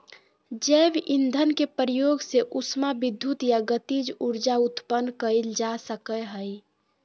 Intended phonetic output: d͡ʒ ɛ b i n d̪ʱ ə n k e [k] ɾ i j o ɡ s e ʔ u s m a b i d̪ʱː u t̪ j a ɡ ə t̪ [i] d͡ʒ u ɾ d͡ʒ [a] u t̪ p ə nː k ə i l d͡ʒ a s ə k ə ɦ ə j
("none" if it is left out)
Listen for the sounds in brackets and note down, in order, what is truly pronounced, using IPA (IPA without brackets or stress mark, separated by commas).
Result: p, i, a